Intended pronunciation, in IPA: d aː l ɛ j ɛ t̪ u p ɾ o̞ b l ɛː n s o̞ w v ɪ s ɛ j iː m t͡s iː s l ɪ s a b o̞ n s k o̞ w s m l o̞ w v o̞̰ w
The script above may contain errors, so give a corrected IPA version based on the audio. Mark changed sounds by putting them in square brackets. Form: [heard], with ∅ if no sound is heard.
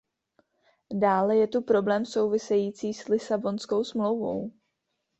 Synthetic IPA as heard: d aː l ɛ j ɛ t̪ u p ɾ o̞ b l ɛː [m] s o̞ w v ɪ s ɛ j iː [∅] t͡s iː s l ɪ s a b o̞ n s k o̞ w s m l o̞ w v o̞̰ w